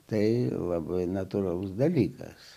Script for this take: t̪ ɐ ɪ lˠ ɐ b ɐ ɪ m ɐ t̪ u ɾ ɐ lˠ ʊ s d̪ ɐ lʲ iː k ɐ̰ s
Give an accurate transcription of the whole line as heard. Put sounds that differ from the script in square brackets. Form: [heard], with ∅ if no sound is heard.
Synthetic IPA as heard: t̪ ɐ ɪ lˠ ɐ b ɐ ɪ [n] ɐ t̪ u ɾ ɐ lˠ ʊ s d̪ ɐ lʲ iː k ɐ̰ s